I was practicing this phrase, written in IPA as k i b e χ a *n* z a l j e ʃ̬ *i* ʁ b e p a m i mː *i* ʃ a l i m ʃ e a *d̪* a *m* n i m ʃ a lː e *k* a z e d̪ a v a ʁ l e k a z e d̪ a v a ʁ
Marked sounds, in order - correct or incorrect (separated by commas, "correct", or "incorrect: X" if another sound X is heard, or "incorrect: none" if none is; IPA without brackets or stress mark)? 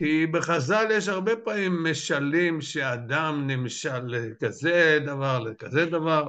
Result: incorrect: none, incorrect: a, incorrect: e, correct, correct, correct